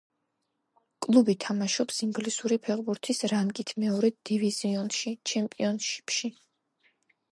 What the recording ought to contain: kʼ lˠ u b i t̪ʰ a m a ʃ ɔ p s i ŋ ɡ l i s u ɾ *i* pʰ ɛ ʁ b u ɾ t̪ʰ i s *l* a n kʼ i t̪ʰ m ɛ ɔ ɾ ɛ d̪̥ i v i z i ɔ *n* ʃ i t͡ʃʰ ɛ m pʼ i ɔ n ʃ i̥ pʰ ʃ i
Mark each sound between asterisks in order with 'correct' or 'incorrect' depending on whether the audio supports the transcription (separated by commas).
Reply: correct, incorrect, correct